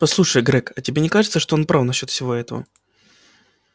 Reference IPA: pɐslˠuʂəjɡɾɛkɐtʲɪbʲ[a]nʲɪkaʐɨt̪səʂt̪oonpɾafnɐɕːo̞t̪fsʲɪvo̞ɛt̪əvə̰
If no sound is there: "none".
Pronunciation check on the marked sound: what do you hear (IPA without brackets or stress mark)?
e